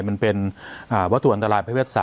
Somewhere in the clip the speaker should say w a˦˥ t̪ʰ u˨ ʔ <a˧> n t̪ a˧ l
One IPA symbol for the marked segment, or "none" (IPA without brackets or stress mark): a˧